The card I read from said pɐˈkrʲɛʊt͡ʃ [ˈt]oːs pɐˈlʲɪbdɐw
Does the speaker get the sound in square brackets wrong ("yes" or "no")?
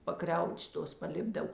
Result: no